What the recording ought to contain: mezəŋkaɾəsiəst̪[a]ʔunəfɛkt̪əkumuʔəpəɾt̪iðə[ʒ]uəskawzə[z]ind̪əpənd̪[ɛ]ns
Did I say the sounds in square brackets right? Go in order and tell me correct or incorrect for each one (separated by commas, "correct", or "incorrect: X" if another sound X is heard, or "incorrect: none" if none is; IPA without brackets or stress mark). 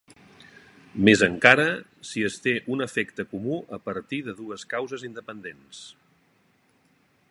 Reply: incorrect: e, incorrect: ð, correct, incorrect: e